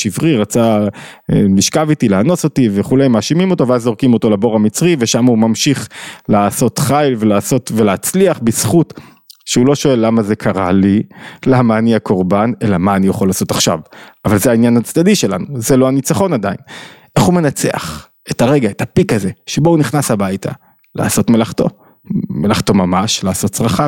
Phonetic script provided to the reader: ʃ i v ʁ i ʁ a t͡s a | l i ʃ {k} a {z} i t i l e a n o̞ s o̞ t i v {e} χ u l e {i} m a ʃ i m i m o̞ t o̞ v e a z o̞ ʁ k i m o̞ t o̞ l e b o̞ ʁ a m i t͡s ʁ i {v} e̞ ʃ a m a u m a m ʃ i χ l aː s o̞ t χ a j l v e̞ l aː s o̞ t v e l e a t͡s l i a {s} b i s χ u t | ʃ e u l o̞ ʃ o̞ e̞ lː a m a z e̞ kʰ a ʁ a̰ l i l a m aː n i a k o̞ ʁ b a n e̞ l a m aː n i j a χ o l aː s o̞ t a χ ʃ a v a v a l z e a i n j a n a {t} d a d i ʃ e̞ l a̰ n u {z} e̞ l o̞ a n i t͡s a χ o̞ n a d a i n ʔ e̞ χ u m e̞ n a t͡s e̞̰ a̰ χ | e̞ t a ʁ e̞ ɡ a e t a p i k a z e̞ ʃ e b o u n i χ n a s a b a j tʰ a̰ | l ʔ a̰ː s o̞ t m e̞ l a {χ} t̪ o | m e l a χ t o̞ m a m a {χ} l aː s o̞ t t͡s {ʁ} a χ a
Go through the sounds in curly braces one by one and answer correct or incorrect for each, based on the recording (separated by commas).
correct, incorrect, correct, incorrect, correct, incorrect, incorrect, correct, correct, incorrect, correct